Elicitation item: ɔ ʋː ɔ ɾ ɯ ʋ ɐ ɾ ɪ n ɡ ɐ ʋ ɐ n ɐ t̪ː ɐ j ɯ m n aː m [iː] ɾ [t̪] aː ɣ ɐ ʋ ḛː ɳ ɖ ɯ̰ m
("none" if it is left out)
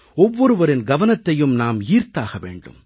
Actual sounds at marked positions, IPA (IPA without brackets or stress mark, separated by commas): iː, t̪